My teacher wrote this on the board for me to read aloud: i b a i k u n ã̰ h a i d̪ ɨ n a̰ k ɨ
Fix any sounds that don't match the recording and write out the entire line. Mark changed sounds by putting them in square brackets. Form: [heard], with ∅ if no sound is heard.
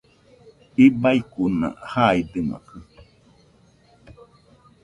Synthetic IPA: i b a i k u n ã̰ h a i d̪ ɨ [m] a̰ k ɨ